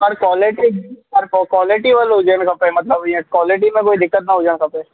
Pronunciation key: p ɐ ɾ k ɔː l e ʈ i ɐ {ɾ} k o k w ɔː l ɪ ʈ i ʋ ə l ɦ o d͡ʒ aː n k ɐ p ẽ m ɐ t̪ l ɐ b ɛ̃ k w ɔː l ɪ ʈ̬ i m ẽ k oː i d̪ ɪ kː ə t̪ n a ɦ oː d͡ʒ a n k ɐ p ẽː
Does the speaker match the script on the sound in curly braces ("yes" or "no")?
yes